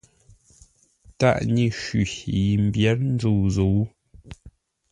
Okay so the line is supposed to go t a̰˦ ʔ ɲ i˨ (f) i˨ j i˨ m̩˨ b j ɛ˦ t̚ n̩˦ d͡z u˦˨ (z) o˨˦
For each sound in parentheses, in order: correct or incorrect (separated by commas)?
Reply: incorrect, correct